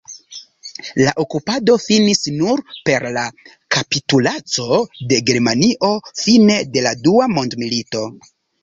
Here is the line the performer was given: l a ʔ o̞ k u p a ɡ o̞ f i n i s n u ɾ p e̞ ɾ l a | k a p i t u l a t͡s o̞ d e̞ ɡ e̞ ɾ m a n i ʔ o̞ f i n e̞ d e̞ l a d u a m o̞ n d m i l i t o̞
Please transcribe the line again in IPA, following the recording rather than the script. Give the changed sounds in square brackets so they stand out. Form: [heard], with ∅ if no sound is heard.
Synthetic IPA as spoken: l a ʔ o̞ k u p a [d] o̞ f i n i s n u ɾ p e̞ ɾ l a | k a p i t u l a t͡s o̞ d e̞ ɡ e̞ ɾ m a n i ʔ o̞ f i n e̞ d e̞ l a d u a m o̞ n d m i l i t o̞